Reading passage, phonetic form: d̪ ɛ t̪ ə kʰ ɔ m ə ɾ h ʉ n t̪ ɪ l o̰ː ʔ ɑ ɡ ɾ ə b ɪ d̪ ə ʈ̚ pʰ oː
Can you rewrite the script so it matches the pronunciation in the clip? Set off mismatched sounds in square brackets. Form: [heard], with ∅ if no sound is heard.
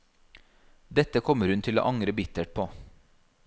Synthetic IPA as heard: d̪ ɛ t̪ ə kʰ ɔ m ə ɾ h ʉ n [t̪ʰ] ɪ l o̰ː ʔ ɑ [ŋ] ɾ ə b ɪ [t̪] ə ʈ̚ pʰ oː